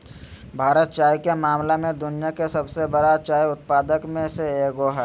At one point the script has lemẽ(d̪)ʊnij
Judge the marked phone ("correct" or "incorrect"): correct